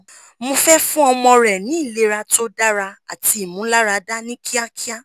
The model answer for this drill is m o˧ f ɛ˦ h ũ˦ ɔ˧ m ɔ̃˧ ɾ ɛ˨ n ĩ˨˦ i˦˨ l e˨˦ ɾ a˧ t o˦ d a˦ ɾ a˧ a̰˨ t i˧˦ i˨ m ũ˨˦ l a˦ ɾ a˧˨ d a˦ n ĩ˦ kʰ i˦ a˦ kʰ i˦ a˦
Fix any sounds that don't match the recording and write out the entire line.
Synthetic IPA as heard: m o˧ f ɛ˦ f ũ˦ ɔ˧ m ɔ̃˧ ɾ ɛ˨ n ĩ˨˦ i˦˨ l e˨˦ ɾ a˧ t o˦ d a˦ ɾ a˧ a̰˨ t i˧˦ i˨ m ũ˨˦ l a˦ ɾ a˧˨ d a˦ n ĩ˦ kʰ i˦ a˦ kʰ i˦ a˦